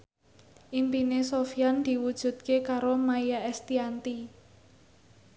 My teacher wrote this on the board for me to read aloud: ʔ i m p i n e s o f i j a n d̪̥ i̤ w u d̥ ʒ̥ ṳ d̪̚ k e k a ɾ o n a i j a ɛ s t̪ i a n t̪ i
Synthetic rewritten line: ʔ i m p i n e s o f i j a n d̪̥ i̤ w u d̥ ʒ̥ ṳ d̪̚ k e k a ɾ o m a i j a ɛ s t̪ i a n t̪ i